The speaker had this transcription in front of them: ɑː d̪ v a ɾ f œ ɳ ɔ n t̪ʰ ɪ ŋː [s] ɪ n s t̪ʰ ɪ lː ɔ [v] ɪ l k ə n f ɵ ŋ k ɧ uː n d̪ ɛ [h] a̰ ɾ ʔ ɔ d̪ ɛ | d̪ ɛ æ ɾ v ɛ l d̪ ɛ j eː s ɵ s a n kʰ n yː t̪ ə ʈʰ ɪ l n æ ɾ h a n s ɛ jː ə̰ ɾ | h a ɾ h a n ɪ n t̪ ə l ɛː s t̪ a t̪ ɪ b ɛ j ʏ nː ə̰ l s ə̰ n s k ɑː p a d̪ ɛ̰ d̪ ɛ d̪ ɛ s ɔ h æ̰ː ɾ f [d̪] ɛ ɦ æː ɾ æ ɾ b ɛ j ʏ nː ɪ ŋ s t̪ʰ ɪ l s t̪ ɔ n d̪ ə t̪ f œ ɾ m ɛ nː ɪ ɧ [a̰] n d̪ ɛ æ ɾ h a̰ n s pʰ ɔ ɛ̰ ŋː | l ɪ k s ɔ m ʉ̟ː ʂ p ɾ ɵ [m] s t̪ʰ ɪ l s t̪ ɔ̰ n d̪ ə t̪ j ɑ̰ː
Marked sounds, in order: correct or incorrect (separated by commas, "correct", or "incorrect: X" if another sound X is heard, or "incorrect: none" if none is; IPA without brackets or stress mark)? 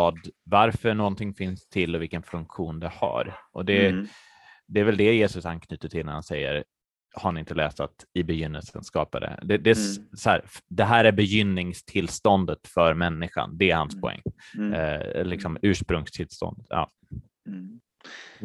incorrect: f, correct, correct, correct, correct, incorrect: ŋ